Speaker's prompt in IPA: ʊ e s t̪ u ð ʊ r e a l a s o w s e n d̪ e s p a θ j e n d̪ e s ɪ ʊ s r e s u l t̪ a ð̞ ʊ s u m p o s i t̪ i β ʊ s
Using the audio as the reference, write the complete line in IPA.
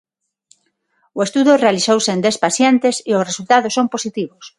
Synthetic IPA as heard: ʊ e s t̪ u ð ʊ r e a l i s o w s e n d̪ e s p a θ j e n t̪ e s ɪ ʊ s r e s u l t̪ a ð̞ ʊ s o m p o s i t̪ i β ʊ s